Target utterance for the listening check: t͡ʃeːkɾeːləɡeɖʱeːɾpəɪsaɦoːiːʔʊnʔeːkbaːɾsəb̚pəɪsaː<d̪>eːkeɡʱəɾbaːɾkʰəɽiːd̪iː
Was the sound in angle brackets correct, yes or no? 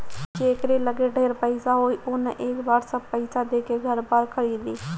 yes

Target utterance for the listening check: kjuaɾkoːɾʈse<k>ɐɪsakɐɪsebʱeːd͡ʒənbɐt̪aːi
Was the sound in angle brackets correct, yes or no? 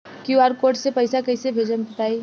no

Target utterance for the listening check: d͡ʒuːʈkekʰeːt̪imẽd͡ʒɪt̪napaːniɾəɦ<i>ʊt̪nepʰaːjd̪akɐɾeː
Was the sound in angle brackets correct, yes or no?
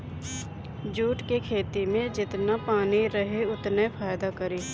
no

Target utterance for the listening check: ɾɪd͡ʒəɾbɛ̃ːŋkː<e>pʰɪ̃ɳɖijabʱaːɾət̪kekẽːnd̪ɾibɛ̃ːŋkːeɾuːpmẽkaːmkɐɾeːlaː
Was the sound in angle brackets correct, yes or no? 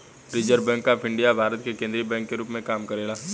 no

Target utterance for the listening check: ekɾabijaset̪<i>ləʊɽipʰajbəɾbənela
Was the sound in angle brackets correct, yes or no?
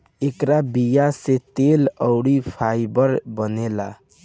no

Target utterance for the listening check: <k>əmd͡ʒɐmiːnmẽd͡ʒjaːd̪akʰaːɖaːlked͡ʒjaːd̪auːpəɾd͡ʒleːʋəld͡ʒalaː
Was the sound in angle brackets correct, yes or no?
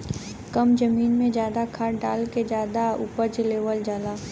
yes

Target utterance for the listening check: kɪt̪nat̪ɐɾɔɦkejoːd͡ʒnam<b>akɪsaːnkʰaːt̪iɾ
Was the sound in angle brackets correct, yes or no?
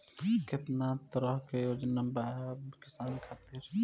yes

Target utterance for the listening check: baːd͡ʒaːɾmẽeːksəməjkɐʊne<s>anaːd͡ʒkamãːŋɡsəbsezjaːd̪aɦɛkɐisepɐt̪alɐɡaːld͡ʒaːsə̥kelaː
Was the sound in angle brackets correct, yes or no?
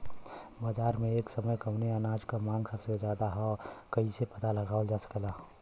no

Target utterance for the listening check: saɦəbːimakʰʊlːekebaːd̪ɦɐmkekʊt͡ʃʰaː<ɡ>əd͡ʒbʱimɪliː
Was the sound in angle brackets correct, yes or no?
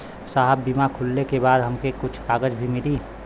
yes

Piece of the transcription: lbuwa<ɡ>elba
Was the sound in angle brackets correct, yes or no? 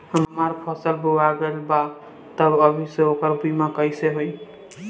yes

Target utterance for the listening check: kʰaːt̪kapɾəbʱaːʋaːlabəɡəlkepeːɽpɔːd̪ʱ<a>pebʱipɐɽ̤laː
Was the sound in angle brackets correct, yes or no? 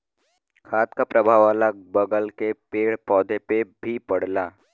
no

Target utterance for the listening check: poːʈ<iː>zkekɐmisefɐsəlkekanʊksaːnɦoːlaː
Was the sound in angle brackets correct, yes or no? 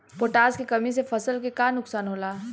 no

